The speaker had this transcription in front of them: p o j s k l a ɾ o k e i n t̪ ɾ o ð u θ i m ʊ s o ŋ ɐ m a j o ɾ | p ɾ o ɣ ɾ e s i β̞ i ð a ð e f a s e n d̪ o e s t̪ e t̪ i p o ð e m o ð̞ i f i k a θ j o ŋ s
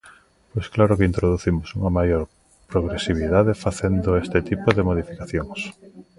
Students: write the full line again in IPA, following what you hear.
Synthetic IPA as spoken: p o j s k l a ɾ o k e i n t̪ ɾ o ð u θ i m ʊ s u ŋ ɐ m a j o ɾ | p ɾ o ɣ ɾ e s i β̞ i ð a ð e f a θ e n d̪ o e s t̪ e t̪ i p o ð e m o ð̞ i f i k a θ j o ŋ s